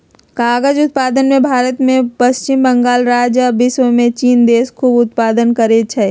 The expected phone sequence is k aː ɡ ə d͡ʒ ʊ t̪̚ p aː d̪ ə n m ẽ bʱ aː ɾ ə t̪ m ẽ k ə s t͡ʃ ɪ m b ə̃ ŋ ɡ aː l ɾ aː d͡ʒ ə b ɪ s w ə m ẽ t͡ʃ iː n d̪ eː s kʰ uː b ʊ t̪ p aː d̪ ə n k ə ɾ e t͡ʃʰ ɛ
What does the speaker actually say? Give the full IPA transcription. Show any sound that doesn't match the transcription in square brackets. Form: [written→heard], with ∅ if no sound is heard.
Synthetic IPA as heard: k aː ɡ ə d͡ʒ ʊ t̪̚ p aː d̪ ə n m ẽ bʱ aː ɾ ə t̪ m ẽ [k→p] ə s t͡ʃ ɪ m b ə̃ ŋ ɡ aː l ɾ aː d͡ʒ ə b ɪ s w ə m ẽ t͡ʃ iː n d̪ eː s kʰ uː b ʊ t̪ p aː d̪ ə n k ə ɾ e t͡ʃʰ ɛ